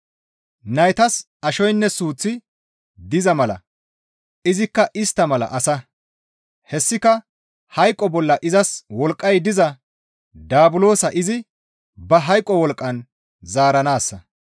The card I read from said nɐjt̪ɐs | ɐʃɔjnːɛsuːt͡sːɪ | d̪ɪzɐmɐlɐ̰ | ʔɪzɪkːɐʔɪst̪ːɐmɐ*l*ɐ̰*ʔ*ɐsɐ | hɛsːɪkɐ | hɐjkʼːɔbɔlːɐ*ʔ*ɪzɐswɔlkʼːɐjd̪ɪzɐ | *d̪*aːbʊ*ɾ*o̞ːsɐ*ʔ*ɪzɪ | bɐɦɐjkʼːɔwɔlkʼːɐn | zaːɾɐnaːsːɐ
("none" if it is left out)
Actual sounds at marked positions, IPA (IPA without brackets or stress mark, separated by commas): l, ʔ, ʔ, d̪, l, ʔ